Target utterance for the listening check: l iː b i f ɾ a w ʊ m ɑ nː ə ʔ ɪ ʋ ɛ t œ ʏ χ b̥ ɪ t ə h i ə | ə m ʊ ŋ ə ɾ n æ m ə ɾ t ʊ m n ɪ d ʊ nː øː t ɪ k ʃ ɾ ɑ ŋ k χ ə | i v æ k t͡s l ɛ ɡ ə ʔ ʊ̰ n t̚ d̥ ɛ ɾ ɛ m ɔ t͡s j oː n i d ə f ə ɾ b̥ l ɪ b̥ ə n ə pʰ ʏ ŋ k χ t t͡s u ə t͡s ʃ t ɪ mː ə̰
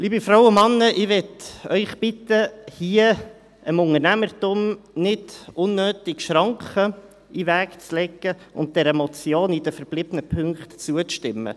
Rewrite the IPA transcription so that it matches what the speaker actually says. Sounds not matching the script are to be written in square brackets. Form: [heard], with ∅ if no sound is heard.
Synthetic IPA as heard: l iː b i f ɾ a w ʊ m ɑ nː ə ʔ ɪ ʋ ɛ t œ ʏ χ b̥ ɪ t ə h i ə | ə m ʊ ŋ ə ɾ n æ m ə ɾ t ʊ m n ɪ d ʊ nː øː t ɪ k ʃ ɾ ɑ ŋ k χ ə | i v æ k t͡s l ɛ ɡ ə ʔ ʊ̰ n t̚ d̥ ɛ ɾ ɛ m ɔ t͡s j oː n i d ə f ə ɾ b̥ l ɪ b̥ ə n ə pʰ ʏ ŋ k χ t t͡s u ə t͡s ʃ t ɪ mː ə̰

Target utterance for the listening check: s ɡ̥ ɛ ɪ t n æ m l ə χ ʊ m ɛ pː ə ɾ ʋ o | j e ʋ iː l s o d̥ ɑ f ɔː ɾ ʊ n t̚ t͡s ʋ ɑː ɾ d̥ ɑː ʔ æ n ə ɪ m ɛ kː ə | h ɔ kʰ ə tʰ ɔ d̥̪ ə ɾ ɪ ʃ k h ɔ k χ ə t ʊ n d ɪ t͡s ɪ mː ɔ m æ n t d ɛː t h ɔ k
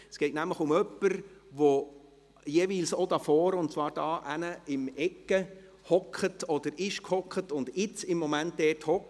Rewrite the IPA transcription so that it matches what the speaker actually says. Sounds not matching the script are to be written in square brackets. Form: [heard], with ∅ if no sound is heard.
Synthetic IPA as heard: s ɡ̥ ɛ ɪ t n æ m l ə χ ʊ m [œ] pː ə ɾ ʋ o | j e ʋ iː l s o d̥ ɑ f ɔː ɾ ʊ n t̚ t͡s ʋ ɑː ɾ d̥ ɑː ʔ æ n ə ɪ m ɛ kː ə | h ɔ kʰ ə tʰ ɔ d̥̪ ə ɾ ɪ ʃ k h ɔ k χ ə t ʊ n d ɪ t͡s ɪ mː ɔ m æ n t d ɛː t h ɔ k

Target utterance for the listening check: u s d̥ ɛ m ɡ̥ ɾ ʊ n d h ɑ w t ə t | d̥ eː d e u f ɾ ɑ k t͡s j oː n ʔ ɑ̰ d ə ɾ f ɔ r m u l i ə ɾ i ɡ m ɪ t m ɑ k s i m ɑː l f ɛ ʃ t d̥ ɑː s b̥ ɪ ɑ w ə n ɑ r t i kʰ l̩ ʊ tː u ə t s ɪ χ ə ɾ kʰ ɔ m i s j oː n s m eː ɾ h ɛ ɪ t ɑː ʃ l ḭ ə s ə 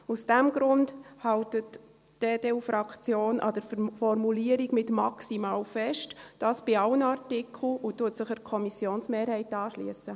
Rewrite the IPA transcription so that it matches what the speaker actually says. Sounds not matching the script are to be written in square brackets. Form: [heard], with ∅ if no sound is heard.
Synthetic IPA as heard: u s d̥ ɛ m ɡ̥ ɾ ʊ n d h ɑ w t ə t | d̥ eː d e u f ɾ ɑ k t͡s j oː n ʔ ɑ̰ d ə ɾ f ɔ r m u l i ə ɾ i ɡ m ɪ t m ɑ k s i m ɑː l f ɛ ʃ t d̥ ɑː s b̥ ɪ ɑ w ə n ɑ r t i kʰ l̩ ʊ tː u ə t s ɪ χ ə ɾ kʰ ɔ m i s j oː n s m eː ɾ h ɛ ɪ t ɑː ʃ l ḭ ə s ə

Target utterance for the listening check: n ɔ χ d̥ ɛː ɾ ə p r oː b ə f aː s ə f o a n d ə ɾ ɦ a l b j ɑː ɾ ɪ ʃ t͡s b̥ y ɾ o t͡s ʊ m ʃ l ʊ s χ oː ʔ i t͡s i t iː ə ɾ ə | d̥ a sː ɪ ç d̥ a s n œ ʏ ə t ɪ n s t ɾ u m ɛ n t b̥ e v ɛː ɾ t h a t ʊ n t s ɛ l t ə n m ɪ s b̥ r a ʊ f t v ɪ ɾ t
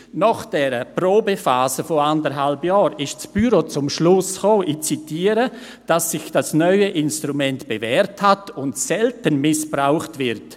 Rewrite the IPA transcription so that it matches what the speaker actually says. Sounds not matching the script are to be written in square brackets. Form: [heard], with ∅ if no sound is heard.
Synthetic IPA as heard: n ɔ χ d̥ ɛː ɾ ə p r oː b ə f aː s ə f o a n d ə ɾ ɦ a l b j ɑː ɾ ɪ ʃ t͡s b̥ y ɾ o t͡s ʊ m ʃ l ʊ s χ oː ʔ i t͡s i t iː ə ɾ ə | d̥ a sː ɪ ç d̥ a s n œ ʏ ə [ʔ] ɪ n s t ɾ u m ɛ n t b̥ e v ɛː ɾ t h a t ʊ n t s ɛ l t ə n m ɪ s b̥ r a ʊ [χ] t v ɪ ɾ t

